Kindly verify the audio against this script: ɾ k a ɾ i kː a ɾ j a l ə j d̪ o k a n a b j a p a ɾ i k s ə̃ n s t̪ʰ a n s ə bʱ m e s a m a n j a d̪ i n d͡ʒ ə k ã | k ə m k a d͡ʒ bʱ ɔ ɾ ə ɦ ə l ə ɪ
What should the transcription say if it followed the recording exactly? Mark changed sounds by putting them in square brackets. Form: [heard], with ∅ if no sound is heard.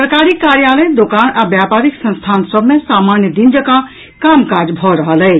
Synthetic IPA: ɾ k a ɾ i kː a ɾ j a l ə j d̪ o k a n a b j a p a ɾ i k s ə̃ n s t̪ʰ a n s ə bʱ m e s a m a n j [ə] d̪ i n d͡ʒ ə k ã | k [a] m k a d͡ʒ bʱ ɔ ɾ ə ɦ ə l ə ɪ